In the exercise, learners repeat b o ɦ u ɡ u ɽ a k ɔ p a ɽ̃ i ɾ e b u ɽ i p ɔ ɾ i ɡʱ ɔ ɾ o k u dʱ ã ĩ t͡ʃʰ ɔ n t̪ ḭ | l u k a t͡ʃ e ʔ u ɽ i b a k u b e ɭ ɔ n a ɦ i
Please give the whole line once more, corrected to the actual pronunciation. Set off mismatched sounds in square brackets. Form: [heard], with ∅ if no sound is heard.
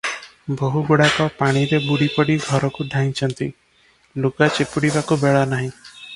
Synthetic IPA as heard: b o ɦ u ɡ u ɽ a k ɔ p a ɽ̃ i ɾ e b u ɽ i p ɔ [ɽ] i ɡʱ ɔ ɾ [ɔ] k u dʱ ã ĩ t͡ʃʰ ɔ n t̪ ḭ | l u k a t͡ʃ e [p] u ɽ i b a k u b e ɭ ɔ n a ɦ [ĩ]